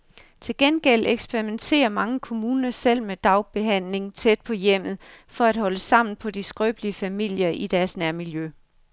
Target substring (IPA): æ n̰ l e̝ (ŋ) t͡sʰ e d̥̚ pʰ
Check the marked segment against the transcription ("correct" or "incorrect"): correct